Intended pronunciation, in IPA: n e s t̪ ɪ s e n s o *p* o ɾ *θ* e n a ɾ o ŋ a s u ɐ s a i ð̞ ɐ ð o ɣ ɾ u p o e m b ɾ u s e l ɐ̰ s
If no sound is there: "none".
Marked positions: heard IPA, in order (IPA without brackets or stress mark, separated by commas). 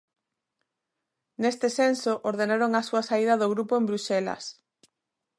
ʔ, ð